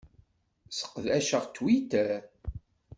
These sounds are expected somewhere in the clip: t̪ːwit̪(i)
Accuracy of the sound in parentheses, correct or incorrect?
incorrect